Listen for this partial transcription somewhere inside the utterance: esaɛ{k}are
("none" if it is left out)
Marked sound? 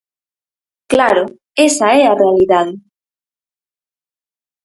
none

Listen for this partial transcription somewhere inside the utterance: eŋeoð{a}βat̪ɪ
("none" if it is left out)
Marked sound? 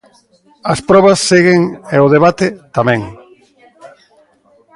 e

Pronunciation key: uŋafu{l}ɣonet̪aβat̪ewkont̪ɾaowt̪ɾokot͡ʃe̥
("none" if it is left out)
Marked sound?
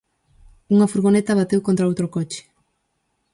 ɾ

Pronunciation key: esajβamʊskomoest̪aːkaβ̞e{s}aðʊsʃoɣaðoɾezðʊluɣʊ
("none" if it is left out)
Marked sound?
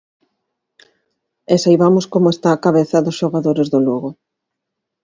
θ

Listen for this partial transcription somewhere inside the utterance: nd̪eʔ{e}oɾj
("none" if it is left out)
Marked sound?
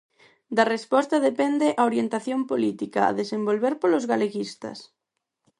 a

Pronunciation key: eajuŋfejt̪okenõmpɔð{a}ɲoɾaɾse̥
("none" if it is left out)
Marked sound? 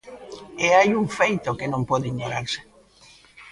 i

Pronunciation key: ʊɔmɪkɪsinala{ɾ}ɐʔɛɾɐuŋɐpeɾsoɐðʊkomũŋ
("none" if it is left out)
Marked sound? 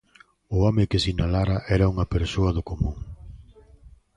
ɾ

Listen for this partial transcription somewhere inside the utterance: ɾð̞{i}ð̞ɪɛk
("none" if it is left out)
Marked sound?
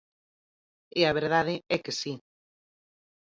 a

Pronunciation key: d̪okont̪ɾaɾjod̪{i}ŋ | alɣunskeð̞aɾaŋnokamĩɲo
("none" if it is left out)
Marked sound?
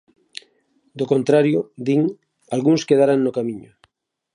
i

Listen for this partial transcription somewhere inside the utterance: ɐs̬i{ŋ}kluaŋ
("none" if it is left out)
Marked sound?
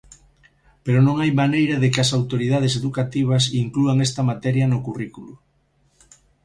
ŋ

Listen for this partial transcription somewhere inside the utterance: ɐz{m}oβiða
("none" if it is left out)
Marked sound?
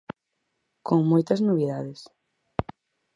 n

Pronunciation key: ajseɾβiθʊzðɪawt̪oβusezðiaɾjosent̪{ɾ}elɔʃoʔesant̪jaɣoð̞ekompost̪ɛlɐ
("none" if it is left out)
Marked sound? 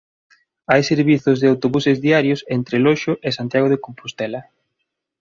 ɾ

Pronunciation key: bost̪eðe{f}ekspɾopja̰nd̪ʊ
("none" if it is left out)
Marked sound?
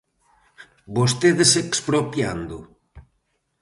s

